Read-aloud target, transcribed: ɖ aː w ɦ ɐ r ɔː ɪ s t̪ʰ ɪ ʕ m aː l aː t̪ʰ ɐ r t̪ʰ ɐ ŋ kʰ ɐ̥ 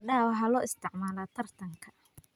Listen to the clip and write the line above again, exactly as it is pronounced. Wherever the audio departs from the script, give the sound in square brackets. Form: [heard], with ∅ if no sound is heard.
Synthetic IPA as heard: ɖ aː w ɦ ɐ [l] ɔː ɪ s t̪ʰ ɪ ʕ m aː l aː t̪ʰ ɐ r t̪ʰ ɐ ŋ kʰ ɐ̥